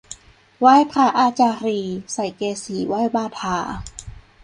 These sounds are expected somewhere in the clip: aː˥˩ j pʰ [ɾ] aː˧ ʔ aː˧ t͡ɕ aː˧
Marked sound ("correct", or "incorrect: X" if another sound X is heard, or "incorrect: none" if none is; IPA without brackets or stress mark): correct